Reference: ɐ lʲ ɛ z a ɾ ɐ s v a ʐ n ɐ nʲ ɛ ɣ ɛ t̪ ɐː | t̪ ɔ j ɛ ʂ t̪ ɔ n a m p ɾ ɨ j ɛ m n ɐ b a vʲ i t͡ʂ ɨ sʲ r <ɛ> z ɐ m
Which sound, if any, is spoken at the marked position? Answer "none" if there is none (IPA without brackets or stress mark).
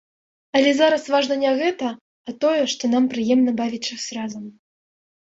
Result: a